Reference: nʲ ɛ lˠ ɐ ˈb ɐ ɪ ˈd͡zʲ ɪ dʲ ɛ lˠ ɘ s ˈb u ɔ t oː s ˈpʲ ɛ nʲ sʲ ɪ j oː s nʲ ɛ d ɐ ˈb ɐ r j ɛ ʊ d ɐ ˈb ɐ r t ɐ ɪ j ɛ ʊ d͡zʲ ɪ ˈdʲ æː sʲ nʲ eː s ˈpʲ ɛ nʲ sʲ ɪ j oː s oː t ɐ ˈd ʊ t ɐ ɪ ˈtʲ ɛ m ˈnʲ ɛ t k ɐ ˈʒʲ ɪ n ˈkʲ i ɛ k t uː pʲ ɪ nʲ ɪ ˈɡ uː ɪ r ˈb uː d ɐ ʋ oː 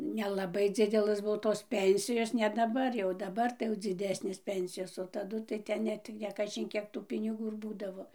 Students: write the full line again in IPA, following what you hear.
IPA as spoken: nʲ ɛ lˠ ɐ ˈb ɐ ɪ ˈd͡zʲ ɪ dʲ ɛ lˠ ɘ s ˈb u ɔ t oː s ˈpʲ ɛ nʲ sʲ ɪ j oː s nʲ ɛ d ɐ ˈb ɐ r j ɛ ʊ d ɐ ˈb ɐ r t ɐ ɪ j ɛ ʊ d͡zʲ ɪ ˈdʲ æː sʲ nʲ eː s ˈpʲ ɛ nʲ sʲ ɪ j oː s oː t ɐ ˈd ʊ t ɐ ɪ ˈtʲ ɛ n ˈnʲ ɛ t k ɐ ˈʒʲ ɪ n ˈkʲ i ɛ k t uː pʲ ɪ nʲ ɪ ˈɡ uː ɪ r ˈb uː d ɐ ʋ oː

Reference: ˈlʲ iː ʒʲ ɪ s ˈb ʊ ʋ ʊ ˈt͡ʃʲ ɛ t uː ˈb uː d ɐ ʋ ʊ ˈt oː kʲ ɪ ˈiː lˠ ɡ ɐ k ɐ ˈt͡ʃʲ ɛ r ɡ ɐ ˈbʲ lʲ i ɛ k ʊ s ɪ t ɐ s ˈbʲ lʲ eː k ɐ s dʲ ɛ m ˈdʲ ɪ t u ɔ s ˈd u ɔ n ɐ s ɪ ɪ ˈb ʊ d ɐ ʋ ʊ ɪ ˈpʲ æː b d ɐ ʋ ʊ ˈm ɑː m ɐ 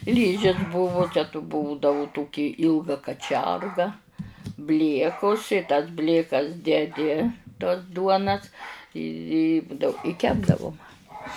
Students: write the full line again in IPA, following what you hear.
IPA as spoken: ˈlʲ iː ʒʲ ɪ s ˈb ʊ ʋ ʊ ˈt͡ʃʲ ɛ t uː ˈb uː d ɐ ʋ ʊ ˈt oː kʲ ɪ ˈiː lˠ ɡ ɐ k ɐ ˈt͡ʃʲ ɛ r ɡ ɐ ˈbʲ lʲ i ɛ k ʊ s ɪ t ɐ s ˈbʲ lʲ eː k ɐ s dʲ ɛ ˈdʲ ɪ t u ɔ s ˈd u ɔ n ɐ s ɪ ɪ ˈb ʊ d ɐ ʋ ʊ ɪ ˈkʲ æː b d ɐ ʋ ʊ ˈm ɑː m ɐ

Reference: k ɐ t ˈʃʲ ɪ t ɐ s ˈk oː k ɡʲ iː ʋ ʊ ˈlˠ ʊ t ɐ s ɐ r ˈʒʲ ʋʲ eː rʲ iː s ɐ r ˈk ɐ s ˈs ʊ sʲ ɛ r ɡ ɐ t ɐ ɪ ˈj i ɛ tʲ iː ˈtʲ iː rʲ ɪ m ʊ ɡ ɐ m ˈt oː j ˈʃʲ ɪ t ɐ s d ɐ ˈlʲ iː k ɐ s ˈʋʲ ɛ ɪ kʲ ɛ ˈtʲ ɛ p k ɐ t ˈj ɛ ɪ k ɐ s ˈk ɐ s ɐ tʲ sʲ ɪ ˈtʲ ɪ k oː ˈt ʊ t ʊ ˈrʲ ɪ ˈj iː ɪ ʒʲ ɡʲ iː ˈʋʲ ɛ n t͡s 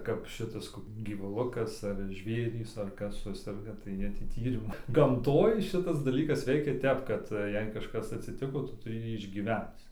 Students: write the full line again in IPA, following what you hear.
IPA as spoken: k ɐ p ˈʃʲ ɪ t ɐ s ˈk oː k ɡʲ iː ʋ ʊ ˈlˠ ʊ k ɐ s ɐ r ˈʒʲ ʋʲ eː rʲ iː s ɐ r ˈk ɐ s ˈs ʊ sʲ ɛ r ɡ ɐ t ɐ ɪ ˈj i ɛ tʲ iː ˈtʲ iː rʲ ɪ m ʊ ɡ ɐ m ˈt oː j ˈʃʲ ɪ t ɐ s d ɐ ˈlʲ iː k ɐ s ˈʋʲ ɛ ɪ kʲ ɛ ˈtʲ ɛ p k ɐ t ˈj ɛ ɪ k ɐ ʃ ˈk ɐ s ɐ tʲ sʲ ɪ ˈtʲ ɪ k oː ˈt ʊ t ʊ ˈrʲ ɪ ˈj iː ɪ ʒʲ ɡʲ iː ˈʋʲ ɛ n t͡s

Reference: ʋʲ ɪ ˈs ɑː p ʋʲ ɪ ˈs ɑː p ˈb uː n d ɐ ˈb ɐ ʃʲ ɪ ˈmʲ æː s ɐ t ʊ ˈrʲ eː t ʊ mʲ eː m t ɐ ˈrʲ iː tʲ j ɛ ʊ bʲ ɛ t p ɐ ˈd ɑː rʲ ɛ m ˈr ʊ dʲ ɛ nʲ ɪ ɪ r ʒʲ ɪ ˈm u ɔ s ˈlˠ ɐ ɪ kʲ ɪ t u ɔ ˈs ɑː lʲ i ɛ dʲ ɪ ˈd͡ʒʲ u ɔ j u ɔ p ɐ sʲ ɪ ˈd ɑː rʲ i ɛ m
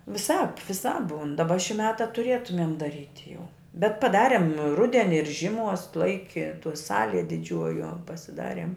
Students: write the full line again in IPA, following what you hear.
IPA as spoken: ʋʲ ɪ ˈs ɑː p ʋʲ ɪ ˈs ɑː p ˈb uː n d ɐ ˈb ɐ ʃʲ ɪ ˈmʲ æː t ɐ t ʊ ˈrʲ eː t ʊ mʲ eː m d ɐ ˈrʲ iː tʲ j ɛ ʊ bʲ ɛ t p ɐ ˈd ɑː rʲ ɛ m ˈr ʊ dʲ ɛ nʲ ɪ ɪ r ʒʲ ɪ ˈm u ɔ s ˈlˠ ɐ ɪ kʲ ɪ t u ɔ ˈs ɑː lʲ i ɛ dʲ ɪ ˈd͡ʒʲ u ɔ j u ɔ p ɐ sʲ ɪ ˈd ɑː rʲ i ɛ m

